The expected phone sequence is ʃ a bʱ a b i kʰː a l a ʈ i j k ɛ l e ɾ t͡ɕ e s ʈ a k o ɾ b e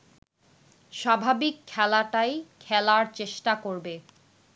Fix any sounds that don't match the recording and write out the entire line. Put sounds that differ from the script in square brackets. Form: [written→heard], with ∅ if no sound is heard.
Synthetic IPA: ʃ a bʱ a b i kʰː [a→ɛ] l a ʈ [i→a] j [k→kʰ] ɛ l [e→a] ɾ t͡ɕ e [s→ʃ] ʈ a k o ɾ b e